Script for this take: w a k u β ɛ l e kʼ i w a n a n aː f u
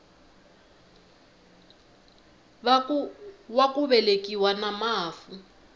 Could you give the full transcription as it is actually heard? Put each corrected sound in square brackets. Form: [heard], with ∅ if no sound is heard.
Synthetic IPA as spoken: w a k u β ɛ l e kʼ i w a n a [m] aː f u